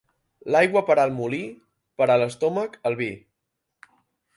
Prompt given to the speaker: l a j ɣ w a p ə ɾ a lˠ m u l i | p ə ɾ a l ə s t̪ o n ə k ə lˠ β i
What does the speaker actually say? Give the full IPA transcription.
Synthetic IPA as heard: l a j ɣ w ə p ə ɾ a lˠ m u l i | p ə ɾ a l ə s t̪ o m ə k ə lˠ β i